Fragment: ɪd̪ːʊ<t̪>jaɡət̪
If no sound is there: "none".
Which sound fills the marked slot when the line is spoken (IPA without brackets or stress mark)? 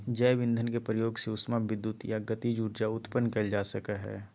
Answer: t̪